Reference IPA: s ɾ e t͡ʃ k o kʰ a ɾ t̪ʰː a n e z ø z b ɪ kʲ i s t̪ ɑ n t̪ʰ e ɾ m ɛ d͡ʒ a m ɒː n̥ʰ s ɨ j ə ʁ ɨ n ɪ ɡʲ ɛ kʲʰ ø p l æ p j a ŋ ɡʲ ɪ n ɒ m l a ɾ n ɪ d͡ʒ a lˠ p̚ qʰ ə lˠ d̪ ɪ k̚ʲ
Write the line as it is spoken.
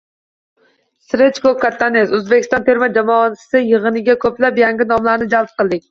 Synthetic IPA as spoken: s ɾ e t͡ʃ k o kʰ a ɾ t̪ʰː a n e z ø z b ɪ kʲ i s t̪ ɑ n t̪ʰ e ɾ m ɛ d͡ʒ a m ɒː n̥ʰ s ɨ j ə ʁ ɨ n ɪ ɡʲ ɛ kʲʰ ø p l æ p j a ŋ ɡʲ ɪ n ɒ m l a ɾ n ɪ d͡ʒ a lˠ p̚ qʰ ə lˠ d̪ ɪ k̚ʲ

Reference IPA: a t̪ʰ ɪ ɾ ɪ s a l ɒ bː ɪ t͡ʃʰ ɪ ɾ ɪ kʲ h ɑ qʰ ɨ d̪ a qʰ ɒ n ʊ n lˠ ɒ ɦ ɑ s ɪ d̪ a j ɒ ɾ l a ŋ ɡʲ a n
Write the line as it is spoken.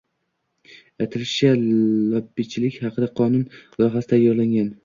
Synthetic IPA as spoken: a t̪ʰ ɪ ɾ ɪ ʃ a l ɒ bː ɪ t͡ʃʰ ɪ l ɪ kʲ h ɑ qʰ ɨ d̪ a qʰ ɒ n ʊ n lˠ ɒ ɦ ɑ s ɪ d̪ a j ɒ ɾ l a ŋ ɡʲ a n

